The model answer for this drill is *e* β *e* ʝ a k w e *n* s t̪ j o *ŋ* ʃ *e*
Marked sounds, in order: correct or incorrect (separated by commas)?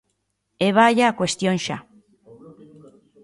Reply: correct, incorrect, incorrect, incorrect, incorrect